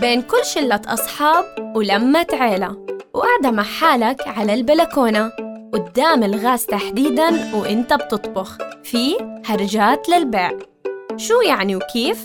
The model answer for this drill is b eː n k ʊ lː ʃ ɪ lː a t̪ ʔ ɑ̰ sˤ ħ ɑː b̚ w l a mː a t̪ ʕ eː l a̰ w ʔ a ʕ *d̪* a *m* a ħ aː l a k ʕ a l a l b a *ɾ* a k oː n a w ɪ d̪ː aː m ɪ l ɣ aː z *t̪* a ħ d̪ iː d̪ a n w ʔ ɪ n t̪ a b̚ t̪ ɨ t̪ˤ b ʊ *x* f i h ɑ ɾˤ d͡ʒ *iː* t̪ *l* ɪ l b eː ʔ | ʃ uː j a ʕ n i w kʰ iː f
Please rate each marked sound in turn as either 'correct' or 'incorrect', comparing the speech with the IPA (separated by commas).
correct, correct, incorrect, correct, correct, incorrect, correct